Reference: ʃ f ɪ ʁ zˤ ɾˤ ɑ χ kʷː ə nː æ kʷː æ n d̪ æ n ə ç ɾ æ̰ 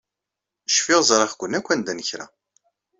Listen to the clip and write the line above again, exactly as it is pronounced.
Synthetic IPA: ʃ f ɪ ʁ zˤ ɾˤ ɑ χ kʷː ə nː æ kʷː æ n d̪ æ n ə ç ɾ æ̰